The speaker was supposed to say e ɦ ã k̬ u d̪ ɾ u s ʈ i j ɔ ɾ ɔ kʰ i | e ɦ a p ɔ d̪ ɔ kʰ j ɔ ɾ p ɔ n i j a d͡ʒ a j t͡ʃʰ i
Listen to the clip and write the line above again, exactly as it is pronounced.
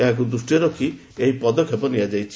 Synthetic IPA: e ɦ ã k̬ u d̪ ɾ u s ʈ i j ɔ ɾ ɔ kʰ i | e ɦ i p ɔ d̪ ɔ kʰ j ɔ p ɔ n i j a d͡ʒ a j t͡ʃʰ i